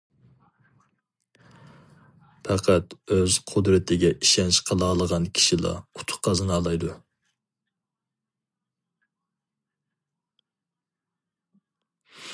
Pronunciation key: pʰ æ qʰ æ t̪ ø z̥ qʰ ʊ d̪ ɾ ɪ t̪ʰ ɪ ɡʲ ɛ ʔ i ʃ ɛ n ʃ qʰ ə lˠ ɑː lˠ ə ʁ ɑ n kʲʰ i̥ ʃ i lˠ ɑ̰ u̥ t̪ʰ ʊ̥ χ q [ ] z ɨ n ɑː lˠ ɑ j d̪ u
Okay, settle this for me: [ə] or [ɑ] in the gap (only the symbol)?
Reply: ɑ